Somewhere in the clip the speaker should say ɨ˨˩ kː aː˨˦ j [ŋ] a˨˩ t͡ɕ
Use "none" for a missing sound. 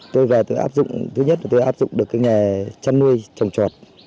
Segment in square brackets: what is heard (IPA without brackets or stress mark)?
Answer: ŋ